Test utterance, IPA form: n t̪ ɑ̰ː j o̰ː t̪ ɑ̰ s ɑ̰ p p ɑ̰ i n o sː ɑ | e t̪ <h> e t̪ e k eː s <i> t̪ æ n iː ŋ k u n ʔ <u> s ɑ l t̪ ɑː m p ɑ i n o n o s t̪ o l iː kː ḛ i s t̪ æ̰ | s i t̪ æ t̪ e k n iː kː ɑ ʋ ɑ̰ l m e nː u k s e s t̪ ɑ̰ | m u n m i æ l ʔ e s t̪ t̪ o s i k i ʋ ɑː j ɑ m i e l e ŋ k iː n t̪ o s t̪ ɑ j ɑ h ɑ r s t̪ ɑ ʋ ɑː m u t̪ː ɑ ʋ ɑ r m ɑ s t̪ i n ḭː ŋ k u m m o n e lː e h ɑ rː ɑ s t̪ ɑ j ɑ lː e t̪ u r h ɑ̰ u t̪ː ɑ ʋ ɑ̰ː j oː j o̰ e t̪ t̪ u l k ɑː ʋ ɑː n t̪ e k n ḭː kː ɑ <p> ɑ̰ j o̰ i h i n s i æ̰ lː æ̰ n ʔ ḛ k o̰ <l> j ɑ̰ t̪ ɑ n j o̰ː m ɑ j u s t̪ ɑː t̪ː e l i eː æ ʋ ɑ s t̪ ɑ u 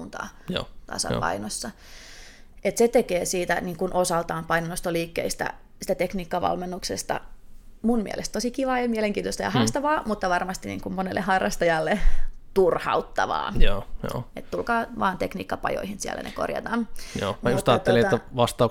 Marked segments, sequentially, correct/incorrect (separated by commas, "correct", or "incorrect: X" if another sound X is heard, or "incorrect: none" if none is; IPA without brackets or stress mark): incorrect: s, incorrect: iː, incorrect: o, correct, incorrect: r